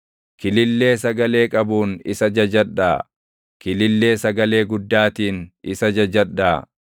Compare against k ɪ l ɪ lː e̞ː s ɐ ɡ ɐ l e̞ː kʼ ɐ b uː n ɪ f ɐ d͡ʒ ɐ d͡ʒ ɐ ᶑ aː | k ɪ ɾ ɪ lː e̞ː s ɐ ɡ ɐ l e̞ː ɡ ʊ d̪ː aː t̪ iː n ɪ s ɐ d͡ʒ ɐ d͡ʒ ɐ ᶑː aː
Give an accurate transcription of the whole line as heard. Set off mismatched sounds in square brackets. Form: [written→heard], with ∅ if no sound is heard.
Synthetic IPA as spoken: k ɪ l ɪ lː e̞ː s ɐ ɡ ɐ l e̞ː kʼ ɐ b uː n ɪ [f→s] ɐ d͡ʒ ɐ d͡ʒ ɐ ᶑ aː | k ɪ [ɾ→l] ɪ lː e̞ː s ɐ ɡ ɐ l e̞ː ɡ ʊ d̪ː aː t̪ iː n ɪ s ɐ d͡ʒ ɐ d͡ʒ ɐ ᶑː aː

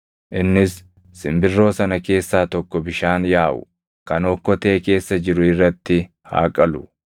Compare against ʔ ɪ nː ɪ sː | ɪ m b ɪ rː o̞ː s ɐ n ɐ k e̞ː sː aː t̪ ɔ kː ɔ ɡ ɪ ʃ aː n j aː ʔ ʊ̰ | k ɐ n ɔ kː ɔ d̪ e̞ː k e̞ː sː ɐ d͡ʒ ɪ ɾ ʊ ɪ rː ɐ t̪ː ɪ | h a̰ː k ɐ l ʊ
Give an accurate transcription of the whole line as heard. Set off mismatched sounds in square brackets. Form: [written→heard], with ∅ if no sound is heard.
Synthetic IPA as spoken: ʔ ɪ nː ɪ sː | ɪ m b ɪ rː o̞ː s ɐ n ɐ k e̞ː sː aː t̪ ɔ kː ɔ [ɡ→b] ɪ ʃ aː n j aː ʔ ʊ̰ | k ɐ n ɔ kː ɔ [d̪→t̪] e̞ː k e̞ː sː ɐ d͡ʒ ɪ ɾ ʊ ɪ rː ɐ t̪ː ɪ | h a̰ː [k→kʼ] ɐ l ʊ

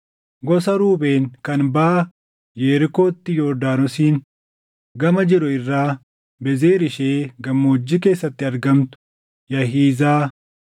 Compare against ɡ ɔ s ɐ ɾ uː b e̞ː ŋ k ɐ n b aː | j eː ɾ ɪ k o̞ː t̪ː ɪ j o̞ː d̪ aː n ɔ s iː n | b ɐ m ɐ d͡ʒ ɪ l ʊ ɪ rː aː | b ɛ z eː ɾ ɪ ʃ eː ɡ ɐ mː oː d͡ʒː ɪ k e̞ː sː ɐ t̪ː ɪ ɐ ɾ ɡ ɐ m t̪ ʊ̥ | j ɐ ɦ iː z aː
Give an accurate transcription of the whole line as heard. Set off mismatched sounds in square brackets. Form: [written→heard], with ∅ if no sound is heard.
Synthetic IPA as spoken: ɡ ɔ s ɐ ɾ uː b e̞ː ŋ k ɐ n b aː | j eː ɾ ɪ k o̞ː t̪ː ɪ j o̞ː d̪ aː n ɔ s iː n | [b→ɡ] ɐ m ɐ d͡ʒ ɪ [l→ɾ] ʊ ɪ rː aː | b ɛ z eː ɾ ɪ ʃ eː ɡ ɐ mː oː d͡ʒː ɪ k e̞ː sː ɐ t̪ː ɪ ɐ ɾ ɡ ɐ m t̪ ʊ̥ | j ɐ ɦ iː z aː

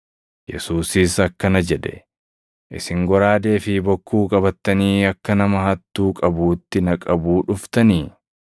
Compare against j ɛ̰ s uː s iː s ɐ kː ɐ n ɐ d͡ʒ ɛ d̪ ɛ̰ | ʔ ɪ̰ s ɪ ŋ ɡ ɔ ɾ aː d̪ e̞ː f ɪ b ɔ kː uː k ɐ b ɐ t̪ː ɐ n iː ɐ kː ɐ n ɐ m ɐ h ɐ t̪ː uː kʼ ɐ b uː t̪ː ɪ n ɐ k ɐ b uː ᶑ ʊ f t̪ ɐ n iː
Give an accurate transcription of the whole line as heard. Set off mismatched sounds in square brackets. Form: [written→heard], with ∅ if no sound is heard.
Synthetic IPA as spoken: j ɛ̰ s uː s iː s ɐ kː ɐ n ɐ d͡ʒ ɛ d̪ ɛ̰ | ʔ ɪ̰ s ɪ ŋ ɡ ɔ ɾ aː d̪ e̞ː f ɪ b ɔ kː uː [k→kʼ] ɐ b ɐ t̪ː ɐ n iː ɐ kː ɐ n ɐ m ɐ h ɐ t̪ː uː kʼ ɐ b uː t̪ː ɪ n ɐ [k→kʼ] ɐ b uː ᶑ ʊ f t̪ ɐ n iː

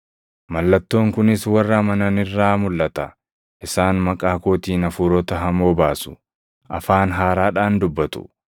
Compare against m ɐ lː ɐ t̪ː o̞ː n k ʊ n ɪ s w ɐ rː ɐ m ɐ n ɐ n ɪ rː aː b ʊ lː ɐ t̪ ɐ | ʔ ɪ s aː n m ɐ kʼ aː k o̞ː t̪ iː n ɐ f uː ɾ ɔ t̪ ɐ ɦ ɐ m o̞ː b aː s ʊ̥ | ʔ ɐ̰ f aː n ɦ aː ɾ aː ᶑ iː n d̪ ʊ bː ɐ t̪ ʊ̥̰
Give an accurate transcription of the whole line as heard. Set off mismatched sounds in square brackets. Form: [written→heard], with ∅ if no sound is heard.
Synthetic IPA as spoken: m ɐ lː ɐ t̪ː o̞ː [n→ŋ] k ʊ n ɪ s w ɐ rː ɐ m ɐ n ɐ n ɪ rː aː [b→m] ʊ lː ɐ t̪ ɐ | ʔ ɪ s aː n m ɐ kʼ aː k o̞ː t̪ iː n ɐ f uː ɾ ɔ t̪ ɐ ɦ ɐ m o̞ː b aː s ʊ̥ | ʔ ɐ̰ f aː n ɦ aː ɾ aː ᶑ [iː→aː] n d̪ ʊ bː ɐ t̪ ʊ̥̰

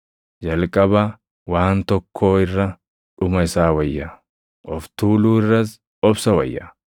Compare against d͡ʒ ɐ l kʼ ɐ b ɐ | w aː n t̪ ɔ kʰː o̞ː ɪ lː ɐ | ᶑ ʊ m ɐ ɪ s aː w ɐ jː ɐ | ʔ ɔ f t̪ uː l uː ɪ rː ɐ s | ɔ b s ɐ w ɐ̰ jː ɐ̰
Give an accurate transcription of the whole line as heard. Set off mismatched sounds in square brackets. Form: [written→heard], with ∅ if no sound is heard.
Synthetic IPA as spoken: d͡ʒ ɐ l kʼ ɐ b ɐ | w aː n t̪ ɔ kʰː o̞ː ɪ [lː→rː] ɐ | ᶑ ʊ m ɐ ɪ s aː w ɐ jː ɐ | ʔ ɔ f t̪ uː l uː ɪ rː ɐ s | ɔ b s ɐ w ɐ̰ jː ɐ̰

